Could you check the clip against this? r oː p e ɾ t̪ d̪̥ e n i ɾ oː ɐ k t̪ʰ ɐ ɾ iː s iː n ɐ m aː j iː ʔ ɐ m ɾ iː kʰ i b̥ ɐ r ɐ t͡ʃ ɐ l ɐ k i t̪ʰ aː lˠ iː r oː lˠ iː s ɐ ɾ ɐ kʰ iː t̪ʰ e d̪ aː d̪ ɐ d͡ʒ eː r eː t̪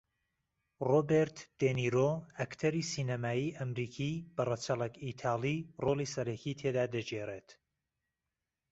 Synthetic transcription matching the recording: r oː b e ɾ t̪ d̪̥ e n i ɾ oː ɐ k t̪ʰ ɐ ɾ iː s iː n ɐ m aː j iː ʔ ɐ m ɾ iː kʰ i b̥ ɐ r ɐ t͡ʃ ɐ l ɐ k i t̪ʰ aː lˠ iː r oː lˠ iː s ɐ ɾ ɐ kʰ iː t̪ʰ e d̪ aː d̪ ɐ d͡ʒ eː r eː t̪